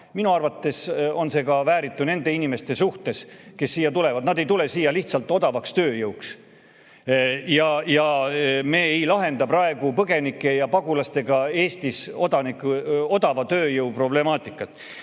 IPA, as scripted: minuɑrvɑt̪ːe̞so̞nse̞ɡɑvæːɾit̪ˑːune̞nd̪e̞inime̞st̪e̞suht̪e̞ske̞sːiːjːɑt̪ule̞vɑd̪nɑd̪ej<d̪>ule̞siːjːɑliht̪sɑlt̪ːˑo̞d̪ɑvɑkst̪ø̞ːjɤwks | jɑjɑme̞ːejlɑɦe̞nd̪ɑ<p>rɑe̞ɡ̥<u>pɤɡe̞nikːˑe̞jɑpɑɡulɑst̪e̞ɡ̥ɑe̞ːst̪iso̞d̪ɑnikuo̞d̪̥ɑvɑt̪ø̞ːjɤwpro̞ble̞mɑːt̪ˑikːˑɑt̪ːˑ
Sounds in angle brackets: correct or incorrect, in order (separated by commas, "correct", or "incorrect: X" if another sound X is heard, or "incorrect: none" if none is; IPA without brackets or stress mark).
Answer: incorrect: t̪, correct, correct